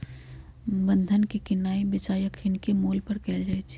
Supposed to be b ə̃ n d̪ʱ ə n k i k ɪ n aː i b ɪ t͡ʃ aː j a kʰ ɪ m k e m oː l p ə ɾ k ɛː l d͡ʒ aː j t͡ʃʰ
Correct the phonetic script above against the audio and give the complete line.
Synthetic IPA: b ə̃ n d̪ʱ ə n k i k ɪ n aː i b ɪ t͡ʃ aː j ə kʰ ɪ n k e m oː l p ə ɾ k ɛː l d͡ʒ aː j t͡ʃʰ